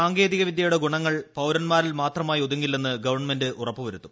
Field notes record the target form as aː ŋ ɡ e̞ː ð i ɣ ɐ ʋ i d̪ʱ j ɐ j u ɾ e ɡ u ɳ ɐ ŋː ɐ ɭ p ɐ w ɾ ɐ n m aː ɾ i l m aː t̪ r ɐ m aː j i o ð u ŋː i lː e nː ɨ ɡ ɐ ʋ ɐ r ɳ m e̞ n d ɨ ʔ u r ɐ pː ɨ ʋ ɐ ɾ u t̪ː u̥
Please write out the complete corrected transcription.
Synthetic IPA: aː ŋ ɡ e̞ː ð i ɣ ɐ ʋ i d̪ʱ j ɐ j u ɽ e ɡ u ɳ ɐ ŋː ɐ ɭ p ɐ w ɾ ɐ n m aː ɾ i l m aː t̪ r ɐ m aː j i o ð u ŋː i lː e nː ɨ ɡ ɐ ʋ ɐ r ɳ m e̞ n d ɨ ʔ u r ɐ pː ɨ ʋ ɐ ɾ u t̪ː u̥